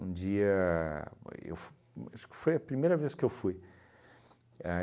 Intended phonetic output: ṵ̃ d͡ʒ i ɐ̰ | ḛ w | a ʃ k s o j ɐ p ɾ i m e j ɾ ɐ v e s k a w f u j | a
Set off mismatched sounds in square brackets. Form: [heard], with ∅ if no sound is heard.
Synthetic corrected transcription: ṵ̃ d͡ʒ i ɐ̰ | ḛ w | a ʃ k [f] o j ɐ p ɾ i m e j ɾ ɐ v e s k [e] w f u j | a

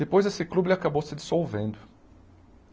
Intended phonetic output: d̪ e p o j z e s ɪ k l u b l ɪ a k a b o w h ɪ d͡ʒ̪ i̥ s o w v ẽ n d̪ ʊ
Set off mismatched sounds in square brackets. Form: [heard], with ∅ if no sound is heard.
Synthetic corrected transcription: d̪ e p o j z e s ɪ k l u b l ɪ a k a b o w [s] ɪ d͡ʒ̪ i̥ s o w v ẽ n d̪ ʊ

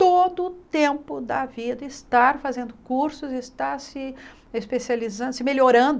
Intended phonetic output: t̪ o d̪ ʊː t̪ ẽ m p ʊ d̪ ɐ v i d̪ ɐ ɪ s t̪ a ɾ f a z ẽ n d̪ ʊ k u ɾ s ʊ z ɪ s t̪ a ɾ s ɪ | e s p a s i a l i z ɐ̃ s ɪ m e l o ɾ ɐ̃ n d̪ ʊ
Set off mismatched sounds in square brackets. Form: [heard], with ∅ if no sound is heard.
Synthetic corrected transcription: t̪ o d̪ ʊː t̪ ẽ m p ʊ d̪ ɐ v i d̪ ɐ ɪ s t̪ a ɾ f a z ẽ n d̪ ʊ k u ɾ s ʊ z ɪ s t̪ a ɾ s ɪ | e s p [e] s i a l i z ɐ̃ s ɪ m e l o ɾ ɐ̃ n d̪ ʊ

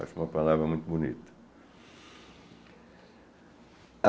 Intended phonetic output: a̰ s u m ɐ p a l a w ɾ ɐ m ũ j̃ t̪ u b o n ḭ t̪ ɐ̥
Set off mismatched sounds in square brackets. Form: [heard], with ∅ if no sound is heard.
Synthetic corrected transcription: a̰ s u m ɐ p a l a [v] ɾ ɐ m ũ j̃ t̪ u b [u] n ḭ t̪ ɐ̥

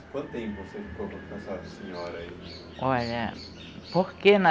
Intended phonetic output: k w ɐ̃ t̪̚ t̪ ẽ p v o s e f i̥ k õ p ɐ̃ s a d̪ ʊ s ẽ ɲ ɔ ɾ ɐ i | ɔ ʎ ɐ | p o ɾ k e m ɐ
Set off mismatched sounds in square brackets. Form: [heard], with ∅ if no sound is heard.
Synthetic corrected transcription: k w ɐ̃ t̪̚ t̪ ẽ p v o s e f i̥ k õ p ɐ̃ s a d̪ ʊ s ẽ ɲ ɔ ɾ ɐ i | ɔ ʎ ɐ | p o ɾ k e [n] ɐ

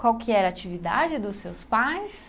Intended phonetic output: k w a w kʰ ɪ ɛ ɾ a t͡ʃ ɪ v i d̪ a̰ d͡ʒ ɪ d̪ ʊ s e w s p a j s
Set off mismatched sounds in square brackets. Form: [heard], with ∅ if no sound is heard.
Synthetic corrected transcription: k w a w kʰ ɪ ɛ ɾ a t͡ʃ [i] v i d̪ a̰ d͡ʒ ɪ d̪ ʊ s e w s p a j s

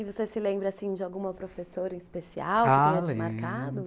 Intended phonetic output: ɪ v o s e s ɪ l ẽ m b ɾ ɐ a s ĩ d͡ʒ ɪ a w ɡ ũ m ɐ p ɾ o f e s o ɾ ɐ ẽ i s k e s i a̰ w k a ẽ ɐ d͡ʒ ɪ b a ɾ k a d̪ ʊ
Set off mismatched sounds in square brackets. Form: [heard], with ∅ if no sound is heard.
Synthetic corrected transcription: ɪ v o s e s ɪ l ẽ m b ɾ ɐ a s ĩ d͡ʒ ɪ a w ɡ ũ m ɐ p ɾ o f e s o ɾ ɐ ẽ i s [p] e s i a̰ w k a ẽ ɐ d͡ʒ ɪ [m] a ɾ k a d̪ ʊ

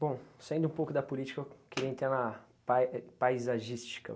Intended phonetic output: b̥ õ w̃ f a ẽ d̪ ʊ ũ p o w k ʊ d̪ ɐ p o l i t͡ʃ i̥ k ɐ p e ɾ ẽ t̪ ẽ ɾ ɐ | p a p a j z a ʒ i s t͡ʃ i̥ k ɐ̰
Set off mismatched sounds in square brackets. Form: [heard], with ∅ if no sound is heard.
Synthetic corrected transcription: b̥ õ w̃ [s] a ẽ d̪ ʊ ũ p o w k ʊ d̪ ɐ p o l i t͡ʃ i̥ k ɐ [k] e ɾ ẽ t̪ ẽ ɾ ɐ | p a p a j z a ʒ i s t͡ʃ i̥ k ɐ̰

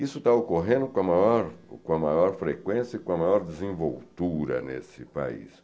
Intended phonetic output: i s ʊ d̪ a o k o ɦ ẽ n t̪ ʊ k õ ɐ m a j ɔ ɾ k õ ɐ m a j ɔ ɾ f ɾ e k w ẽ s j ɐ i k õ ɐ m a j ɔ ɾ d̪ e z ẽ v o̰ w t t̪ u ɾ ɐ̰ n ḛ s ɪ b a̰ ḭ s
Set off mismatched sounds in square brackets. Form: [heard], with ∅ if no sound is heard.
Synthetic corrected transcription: i s ʊ [t̪] a o k o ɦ ẽ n [d̪] ʊ k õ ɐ m a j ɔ ɾ k õ ɐ m a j ɔ ɾ f ɾ e k w ẽ s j ɐ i k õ ɐ m a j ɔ ɾ d̪ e z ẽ v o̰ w t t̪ u ɾ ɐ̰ n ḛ s ɪ [p] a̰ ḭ s

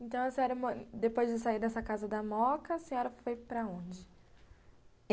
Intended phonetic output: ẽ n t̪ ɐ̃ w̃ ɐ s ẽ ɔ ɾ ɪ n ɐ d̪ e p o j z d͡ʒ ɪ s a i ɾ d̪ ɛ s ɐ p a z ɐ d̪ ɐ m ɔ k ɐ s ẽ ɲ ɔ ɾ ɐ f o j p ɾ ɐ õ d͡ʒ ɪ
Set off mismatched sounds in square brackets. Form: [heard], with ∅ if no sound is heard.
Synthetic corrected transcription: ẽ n t̪ ɐ̃ w̃ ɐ s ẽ ɔ ɾ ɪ [m] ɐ d̪ e p o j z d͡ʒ ɪ s a i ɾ d̪ ɛ s ɐ [k] a z ɐ d̪ ɐ m ɔ k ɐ s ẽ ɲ ɔ ɾ ɐ f o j p ɾ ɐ õ d͡ʒ ɪ

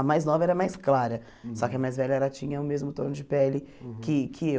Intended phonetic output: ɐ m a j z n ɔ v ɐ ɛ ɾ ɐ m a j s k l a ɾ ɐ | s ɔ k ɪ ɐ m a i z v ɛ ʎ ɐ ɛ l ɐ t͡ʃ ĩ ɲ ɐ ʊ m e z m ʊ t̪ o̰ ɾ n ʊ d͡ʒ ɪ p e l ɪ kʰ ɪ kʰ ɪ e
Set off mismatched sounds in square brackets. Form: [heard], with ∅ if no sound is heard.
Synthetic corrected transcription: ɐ m a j z n ɔ v ɐ ɛ ɾ ɐ m a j s k l a ɾ ɐ | s ɔ k ɪ ɐ m a [j] z v ɛ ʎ ɐ ɛ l ɐ t͡ʃ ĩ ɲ ɐ ʊ m e z m ʊ t̪ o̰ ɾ n ʊ d͡ʒ ɪ p [ɛ] l ɪ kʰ ɪ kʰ ɪ e

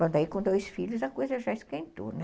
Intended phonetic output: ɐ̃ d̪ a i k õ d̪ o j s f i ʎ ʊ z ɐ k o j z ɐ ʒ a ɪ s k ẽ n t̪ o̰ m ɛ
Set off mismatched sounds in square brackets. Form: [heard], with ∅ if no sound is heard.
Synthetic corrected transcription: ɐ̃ d̪ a i k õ d̪ o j s f i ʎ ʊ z ɐ k o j z ɐ ʒ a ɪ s k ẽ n t̪ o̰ [n] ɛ

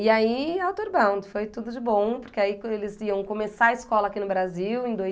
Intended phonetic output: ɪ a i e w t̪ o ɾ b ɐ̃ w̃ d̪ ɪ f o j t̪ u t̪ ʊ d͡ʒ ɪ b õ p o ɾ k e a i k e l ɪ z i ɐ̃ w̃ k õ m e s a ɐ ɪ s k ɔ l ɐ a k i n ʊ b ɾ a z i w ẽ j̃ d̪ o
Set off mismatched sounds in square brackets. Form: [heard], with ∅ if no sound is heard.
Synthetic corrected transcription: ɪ a i [a] w t̪ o ɾ b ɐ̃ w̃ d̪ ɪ f o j t̪ u [d̪] ʊ d͡ʒ ɪ b õ p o ɾ k e a i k e l ɪ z i ɐ̃ w̃ k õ m e s a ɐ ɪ s k ɔ l ɐ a k i n ʊ b ɾ a z i w ẽ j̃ d̪ o

